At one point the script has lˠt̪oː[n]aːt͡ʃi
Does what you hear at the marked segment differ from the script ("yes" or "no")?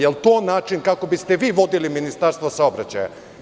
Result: no